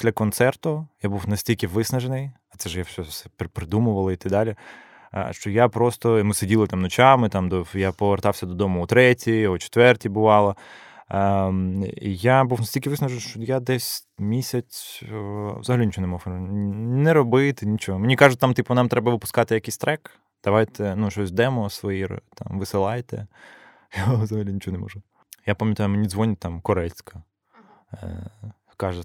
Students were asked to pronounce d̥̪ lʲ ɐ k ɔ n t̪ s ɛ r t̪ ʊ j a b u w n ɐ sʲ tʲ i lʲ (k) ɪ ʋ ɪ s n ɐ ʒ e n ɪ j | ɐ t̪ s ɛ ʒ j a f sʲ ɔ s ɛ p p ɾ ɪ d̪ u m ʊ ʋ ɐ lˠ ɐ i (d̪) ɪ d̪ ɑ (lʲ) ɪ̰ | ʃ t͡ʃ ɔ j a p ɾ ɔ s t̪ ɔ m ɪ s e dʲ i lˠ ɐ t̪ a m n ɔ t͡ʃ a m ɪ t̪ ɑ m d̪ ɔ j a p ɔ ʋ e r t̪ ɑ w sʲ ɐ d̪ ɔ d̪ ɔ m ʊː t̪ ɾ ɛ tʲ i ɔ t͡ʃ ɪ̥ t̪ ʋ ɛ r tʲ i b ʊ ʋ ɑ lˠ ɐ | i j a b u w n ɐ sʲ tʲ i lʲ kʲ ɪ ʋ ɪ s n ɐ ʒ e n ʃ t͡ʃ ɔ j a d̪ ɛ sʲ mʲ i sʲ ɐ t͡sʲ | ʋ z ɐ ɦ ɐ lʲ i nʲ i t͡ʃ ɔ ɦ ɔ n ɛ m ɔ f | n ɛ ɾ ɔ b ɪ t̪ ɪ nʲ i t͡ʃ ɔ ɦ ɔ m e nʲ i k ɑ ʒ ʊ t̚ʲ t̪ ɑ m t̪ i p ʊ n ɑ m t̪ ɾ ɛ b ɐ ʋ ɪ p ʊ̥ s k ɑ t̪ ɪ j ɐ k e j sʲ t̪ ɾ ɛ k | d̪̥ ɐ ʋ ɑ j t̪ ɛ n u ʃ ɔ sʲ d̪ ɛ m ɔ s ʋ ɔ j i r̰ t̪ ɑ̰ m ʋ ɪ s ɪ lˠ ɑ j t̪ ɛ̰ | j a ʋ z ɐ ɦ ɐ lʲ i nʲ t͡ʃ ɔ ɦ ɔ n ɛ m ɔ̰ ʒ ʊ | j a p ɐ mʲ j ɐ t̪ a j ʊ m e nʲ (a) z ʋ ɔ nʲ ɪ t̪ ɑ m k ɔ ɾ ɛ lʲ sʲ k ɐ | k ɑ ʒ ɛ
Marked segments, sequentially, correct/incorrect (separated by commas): correct, incorrect, correct, incorrect